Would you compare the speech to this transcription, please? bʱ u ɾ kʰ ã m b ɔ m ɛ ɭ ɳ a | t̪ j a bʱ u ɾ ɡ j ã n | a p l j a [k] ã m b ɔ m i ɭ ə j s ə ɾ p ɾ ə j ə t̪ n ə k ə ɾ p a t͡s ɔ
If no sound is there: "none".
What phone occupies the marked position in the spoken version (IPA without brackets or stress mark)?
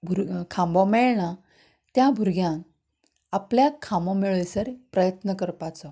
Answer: kʰ